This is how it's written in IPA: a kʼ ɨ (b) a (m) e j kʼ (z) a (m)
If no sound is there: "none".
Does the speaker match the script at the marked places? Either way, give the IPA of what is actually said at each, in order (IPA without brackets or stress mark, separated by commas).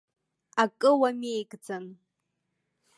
w, m, d͡z, n